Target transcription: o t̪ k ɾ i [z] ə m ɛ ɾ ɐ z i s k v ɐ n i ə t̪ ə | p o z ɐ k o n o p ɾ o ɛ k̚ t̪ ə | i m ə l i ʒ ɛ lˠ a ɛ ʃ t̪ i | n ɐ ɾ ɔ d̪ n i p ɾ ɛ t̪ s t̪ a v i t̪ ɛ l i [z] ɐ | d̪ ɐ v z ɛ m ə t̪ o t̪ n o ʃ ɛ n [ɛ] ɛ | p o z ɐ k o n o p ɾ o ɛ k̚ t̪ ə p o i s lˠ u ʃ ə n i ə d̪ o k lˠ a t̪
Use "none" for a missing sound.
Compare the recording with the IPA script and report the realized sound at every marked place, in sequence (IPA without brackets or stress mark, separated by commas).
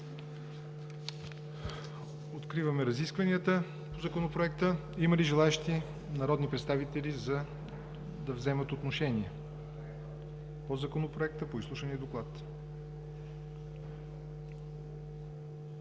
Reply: v, z, i